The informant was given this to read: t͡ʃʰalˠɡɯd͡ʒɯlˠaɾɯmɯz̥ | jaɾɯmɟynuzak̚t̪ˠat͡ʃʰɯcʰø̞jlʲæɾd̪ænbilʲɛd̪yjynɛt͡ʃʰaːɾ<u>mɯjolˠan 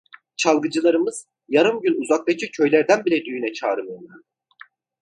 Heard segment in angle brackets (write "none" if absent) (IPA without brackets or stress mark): ɯ